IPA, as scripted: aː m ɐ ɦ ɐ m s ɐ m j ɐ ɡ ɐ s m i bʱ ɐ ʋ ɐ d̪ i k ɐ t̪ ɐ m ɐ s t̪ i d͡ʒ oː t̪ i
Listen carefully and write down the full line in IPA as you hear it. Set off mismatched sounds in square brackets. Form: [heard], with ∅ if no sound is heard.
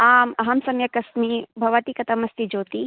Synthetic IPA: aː m ɐ ɦ ɐ m s ɐ m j ɐ [k] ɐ s m i bʱ ɐ ʋ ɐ [t̪] i k ɐ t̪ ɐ m ɐ s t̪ i d͡ʒ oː t̪ i